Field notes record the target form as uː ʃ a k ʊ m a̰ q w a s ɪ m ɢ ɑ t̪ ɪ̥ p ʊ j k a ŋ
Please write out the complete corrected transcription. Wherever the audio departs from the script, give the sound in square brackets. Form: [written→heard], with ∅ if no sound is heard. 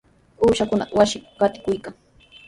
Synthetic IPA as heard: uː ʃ a k ʊ [m→n] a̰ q w a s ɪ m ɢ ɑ t̪ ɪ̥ [p→k] ʊ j k a ŋ

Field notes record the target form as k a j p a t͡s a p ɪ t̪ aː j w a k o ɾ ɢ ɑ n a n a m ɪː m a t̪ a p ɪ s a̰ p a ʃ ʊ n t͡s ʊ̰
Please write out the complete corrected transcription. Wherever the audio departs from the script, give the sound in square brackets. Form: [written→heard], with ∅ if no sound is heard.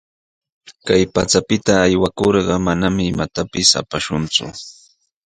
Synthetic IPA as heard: k a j p a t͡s a p ɪ t̪ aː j w a k o ɾ ɢ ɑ [n→m] a n a m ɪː m a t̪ a p ɪ s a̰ p a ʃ ʊ n t͡s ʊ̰

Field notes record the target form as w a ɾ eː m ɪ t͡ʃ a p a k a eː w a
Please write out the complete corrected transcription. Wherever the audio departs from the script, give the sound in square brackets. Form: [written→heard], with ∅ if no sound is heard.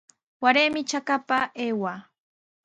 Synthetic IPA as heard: w a ɾ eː m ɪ t͡ʃ a [p→k] a [k→p] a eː w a

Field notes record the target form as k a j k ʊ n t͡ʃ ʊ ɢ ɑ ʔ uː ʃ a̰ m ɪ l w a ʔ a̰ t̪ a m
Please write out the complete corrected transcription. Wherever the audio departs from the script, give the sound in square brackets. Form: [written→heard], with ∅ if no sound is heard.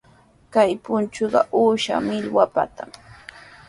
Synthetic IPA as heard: k a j [k→p] ʊ n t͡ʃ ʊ ɢ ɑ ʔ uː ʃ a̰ m ɪ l w a [ʔ→p] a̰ t̪ a m

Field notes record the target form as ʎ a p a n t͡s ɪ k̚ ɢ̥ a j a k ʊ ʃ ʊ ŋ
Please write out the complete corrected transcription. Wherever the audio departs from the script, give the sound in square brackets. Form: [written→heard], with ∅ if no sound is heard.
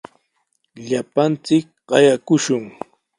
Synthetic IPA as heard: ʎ a p a n t͡s ɪ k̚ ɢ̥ [a→ɑ] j a k ʊ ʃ ʊ ŋ

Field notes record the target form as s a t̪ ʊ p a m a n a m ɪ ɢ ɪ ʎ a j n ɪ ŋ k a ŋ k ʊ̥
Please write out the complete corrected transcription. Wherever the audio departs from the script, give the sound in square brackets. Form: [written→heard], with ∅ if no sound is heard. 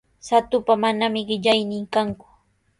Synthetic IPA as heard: s a t̪ ʊ p a m a n a m ɪ ɢ ɪ ʎ a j n ɪ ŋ k a ŋ k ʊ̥

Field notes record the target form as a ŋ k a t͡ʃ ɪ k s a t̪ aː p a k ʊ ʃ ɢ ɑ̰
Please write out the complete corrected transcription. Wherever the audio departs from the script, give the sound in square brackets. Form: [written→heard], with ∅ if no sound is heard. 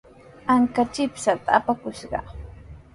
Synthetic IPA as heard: a ŋ k a t͡ʃ ɪ [k→p] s a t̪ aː p a k ʊ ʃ ɢ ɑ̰

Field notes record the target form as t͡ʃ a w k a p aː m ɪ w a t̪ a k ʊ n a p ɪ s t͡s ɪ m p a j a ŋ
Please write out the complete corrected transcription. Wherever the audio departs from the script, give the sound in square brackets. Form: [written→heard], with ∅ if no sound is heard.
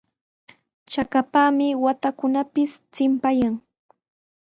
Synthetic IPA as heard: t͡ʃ a [w→∅] k a p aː m ɪ w a t̪ a k ʊ n a p ɪ s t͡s ɪ m p a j a ŋ

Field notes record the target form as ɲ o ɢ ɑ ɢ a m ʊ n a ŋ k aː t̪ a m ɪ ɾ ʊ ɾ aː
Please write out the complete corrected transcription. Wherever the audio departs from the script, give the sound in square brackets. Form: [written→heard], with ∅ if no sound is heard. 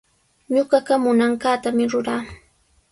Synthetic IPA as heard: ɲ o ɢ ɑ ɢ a m ʊ n a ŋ k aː t̪ a m ɪ ɾ ʊ ɾ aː

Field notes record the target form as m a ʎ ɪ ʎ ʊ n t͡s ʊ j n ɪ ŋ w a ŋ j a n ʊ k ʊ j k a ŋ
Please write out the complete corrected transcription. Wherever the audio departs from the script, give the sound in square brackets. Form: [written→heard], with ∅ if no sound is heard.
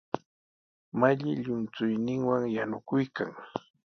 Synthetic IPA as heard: m a ʎ ɪ ʎ ʊ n t͡s ʊ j n ɪ ŋ w a ŋ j a n ʊ k ʊ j k a ŋ

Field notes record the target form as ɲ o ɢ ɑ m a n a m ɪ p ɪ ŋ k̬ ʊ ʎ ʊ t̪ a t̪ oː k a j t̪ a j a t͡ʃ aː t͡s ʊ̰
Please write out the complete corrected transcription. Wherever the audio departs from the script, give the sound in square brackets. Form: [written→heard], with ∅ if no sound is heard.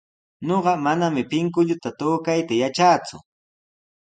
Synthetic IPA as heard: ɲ o ɢ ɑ m a n a m ɪ p ɪ ŋ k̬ ʊ ʎ ʊ t̪ a t̪ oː k a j t̪ a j a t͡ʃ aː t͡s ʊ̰

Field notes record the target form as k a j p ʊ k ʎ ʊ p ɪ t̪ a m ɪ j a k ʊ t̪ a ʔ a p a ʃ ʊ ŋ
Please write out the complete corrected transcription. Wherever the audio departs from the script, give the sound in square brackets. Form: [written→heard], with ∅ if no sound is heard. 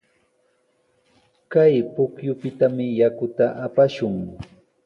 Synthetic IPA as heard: k a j p ʊ k [ʎ→j] ʊ p ɪ t̪ a m ɪ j a k ʊ t̪ a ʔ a p a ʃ ʊ ŋ

